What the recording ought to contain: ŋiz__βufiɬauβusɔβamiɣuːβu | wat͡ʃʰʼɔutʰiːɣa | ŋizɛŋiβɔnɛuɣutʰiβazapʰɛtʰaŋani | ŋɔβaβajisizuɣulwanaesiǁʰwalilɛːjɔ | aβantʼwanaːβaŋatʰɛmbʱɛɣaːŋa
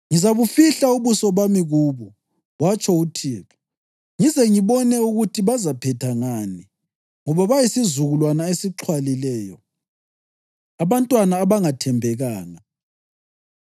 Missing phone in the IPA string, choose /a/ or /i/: a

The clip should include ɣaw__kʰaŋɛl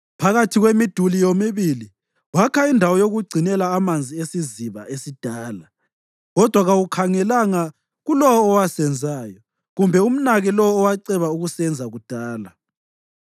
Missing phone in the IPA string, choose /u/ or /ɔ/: u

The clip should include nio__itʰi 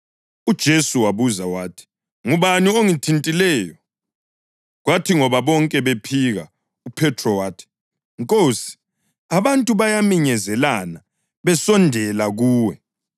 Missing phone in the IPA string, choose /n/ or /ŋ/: ŋ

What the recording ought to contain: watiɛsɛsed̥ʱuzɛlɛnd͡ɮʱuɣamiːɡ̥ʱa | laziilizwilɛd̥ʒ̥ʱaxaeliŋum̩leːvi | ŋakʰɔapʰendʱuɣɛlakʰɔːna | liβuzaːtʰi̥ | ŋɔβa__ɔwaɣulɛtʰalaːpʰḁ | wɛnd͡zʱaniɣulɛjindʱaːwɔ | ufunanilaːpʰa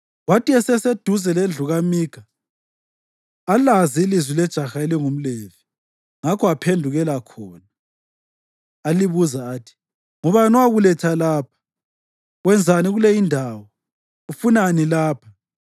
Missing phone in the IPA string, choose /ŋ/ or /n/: n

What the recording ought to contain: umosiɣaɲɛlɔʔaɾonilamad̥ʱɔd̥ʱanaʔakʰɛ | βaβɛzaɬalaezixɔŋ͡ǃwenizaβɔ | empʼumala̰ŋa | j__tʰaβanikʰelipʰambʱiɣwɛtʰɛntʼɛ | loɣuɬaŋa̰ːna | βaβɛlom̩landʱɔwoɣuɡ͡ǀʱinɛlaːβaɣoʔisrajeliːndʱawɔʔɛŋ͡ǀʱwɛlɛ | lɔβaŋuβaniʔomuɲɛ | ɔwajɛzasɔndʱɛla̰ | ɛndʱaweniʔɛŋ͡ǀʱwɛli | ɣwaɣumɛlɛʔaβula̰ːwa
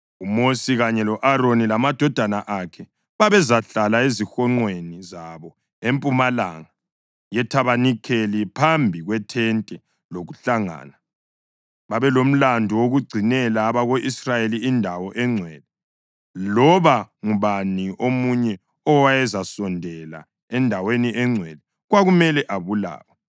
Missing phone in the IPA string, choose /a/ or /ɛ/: ɛ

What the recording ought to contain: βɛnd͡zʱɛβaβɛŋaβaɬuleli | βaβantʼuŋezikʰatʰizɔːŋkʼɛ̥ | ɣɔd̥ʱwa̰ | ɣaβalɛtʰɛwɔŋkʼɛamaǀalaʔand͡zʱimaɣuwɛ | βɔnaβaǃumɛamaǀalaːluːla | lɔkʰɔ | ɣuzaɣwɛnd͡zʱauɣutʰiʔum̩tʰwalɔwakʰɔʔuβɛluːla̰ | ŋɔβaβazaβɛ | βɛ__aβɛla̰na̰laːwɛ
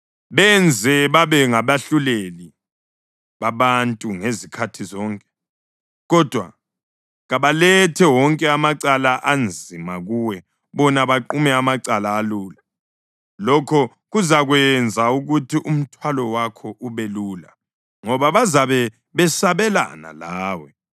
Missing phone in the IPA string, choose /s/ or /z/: s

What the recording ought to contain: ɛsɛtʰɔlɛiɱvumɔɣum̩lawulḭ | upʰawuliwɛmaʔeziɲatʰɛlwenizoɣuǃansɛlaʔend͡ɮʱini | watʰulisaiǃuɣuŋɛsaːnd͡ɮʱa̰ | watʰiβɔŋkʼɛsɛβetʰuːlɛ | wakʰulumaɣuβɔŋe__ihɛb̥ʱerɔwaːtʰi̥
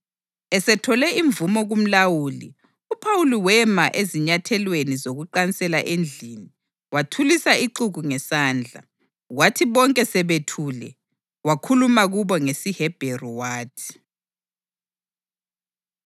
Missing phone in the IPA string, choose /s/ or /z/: s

